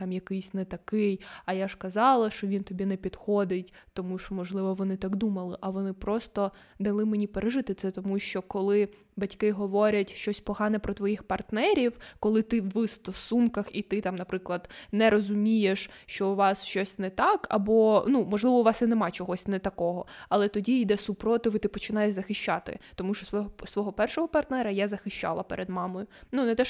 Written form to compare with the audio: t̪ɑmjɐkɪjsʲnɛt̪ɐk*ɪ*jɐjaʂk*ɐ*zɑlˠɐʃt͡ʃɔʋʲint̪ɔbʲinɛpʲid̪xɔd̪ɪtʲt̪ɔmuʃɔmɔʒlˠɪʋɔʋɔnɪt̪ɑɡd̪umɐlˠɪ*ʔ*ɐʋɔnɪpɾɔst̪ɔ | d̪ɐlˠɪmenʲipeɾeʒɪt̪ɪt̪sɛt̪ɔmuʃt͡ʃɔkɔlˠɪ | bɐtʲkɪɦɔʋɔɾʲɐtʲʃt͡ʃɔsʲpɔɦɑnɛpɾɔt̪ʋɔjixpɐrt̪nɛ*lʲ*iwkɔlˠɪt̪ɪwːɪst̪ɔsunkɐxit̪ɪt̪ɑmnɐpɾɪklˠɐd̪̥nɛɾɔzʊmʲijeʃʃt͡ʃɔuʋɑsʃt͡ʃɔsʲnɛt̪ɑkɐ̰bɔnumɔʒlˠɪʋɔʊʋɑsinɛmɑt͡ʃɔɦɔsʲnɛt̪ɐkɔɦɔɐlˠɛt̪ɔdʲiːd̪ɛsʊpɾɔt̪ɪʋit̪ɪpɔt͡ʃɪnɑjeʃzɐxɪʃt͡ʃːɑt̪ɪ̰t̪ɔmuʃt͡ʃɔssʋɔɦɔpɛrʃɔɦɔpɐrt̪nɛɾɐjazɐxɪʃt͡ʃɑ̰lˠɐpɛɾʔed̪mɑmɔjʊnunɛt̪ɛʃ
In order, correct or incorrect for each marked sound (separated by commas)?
correct, correct, correct, incorrect